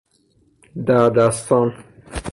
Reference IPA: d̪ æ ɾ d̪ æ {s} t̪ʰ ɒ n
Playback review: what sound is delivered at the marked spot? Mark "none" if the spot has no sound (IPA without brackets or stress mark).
s